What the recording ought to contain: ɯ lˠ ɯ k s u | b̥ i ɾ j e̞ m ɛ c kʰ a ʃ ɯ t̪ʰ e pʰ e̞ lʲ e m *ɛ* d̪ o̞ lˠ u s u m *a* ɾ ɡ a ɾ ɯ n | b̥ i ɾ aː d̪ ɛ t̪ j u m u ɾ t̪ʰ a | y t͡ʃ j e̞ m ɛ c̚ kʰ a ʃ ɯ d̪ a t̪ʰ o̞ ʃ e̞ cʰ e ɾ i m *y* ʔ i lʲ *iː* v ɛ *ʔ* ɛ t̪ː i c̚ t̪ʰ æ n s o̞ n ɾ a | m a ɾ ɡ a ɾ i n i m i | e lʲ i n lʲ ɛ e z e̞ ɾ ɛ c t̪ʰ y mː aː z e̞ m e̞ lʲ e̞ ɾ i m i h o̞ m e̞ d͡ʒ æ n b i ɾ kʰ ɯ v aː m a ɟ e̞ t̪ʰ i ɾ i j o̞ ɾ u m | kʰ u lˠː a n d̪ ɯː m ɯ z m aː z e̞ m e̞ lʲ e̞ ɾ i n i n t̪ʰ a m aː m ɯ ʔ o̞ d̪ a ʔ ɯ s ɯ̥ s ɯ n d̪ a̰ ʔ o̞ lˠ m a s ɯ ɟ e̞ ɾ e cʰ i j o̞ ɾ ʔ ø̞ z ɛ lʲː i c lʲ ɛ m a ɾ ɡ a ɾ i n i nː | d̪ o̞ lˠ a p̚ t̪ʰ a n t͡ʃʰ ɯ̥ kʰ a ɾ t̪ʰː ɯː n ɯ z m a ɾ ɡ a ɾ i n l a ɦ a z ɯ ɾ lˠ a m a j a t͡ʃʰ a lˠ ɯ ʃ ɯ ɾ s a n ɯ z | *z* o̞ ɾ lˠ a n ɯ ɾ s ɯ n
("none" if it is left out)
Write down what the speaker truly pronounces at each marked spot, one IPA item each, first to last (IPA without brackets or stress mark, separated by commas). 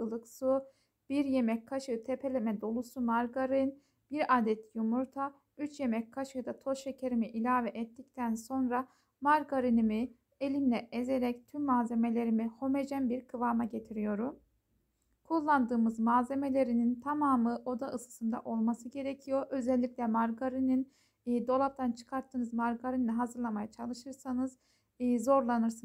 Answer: ɛ, a, i, aː, ʔ, z